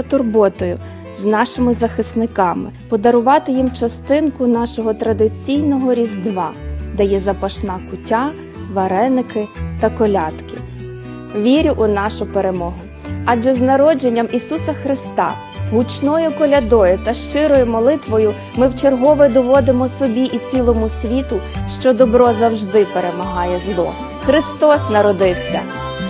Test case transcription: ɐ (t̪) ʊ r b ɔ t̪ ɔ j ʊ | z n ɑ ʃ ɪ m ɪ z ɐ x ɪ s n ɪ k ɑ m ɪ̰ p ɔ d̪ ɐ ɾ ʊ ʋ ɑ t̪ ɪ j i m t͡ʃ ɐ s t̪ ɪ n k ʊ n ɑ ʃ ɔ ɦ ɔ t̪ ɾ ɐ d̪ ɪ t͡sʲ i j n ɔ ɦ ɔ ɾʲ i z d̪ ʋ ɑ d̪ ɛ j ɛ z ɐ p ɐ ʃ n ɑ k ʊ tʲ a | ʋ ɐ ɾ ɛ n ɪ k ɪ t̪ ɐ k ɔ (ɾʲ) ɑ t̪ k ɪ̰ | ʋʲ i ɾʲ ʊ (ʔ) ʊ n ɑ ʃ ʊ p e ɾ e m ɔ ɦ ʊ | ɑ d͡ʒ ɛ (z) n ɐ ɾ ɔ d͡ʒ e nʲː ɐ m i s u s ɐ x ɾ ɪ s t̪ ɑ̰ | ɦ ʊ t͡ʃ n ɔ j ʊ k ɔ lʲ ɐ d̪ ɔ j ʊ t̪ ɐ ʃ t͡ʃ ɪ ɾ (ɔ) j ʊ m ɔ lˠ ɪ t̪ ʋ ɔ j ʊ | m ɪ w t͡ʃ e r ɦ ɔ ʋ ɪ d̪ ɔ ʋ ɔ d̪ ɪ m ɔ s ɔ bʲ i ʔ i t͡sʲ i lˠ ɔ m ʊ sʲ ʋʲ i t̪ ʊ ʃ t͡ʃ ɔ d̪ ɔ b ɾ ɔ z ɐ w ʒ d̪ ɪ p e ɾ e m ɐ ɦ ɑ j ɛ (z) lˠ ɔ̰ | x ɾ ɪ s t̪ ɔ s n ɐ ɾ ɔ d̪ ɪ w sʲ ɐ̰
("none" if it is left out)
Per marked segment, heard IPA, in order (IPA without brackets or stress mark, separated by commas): t̪, lʲ, ʔ, z, ɔ, z